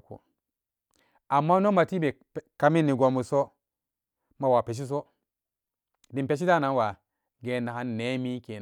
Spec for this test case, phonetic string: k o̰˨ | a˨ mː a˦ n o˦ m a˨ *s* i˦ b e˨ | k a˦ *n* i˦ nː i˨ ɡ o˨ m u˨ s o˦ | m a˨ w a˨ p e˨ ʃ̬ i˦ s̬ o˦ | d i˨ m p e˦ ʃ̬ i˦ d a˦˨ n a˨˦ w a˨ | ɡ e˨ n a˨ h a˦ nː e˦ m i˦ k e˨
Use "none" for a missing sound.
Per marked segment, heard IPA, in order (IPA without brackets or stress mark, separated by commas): t, m